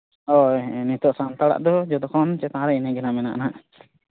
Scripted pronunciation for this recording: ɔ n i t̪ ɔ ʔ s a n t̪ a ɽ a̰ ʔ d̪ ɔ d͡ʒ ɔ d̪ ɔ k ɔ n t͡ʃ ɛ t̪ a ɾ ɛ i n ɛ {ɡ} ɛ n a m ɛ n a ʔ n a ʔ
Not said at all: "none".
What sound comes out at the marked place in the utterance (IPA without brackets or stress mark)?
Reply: ɡ